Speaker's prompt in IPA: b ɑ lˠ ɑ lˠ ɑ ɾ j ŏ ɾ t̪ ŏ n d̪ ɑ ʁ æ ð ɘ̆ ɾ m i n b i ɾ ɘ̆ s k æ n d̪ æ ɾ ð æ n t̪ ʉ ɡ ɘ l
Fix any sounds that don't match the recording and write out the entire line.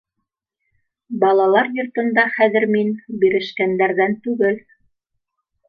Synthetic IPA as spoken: b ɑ lˠ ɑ lˠ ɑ ɾ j ŏ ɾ t̪ ɤ̆ n d̪ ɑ χ æ ð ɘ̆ ɾ m i n b i ɾ ɘ̆ ʃ k æ n d̪ æ ɾ ð æ n t̪ ʉ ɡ ɘ l